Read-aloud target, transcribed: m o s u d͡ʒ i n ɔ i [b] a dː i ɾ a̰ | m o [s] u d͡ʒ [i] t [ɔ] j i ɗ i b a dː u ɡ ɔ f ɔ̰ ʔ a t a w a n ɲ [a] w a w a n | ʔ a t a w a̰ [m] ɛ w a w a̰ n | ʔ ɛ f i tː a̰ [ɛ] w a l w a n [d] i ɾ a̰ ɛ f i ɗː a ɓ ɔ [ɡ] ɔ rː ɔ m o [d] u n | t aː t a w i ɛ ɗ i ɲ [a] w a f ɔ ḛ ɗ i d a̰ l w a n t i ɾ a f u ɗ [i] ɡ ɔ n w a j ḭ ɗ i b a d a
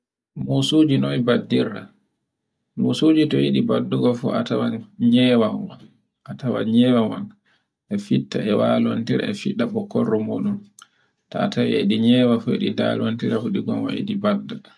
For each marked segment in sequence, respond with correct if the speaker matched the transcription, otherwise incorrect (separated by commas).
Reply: correct, correct, correct, correct, incorrect, incorrect, correct, incorrect, incorrect, incorrect, incorrect, correct